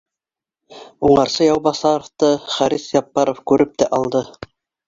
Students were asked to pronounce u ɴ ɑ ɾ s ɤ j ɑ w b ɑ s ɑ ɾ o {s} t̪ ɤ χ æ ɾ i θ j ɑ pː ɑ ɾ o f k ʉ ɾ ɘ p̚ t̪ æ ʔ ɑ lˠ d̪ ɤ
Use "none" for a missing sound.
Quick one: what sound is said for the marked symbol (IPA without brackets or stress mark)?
f